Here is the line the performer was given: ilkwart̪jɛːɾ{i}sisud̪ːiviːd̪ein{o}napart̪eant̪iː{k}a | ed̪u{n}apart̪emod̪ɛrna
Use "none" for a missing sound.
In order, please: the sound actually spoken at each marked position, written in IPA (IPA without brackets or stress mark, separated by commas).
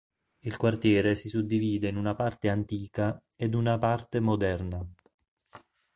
e, u, k, n